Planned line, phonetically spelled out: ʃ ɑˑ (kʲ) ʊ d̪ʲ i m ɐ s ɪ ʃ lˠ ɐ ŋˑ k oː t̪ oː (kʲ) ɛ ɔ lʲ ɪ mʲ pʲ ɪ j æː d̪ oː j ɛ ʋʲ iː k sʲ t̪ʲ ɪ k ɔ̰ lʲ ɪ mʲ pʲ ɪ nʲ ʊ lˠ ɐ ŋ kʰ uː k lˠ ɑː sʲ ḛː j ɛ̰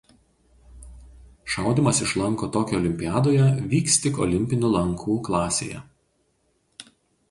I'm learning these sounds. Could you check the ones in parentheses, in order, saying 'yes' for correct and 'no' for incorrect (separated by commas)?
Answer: no, yes